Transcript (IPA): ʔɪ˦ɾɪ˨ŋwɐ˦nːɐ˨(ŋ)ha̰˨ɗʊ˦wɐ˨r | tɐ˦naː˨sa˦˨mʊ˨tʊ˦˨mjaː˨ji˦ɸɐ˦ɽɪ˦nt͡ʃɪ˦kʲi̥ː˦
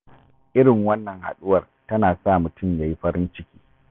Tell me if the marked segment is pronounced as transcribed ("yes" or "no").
yes